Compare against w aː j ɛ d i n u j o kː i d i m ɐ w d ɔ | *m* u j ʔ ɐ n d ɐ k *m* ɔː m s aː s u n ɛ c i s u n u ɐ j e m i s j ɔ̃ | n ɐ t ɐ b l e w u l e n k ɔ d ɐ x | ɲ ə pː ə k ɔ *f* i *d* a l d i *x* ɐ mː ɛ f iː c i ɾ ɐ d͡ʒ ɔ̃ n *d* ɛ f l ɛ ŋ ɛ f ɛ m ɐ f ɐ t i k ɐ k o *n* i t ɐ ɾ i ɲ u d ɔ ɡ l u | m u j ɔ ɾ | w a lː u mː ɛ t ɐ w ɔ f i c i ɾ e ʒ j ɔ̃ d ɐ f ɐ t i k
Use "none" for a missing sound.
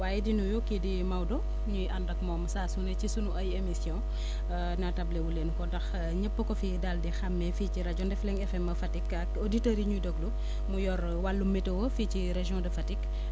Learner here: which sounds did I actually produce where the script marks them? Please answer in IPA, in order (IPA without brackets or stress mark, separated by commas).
ɲ, m, f, d, x, d, d